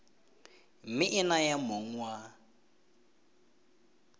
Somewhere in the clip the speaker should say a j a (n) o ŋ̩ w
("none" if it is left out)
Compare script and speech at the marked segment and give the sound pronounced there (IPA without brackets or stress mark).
m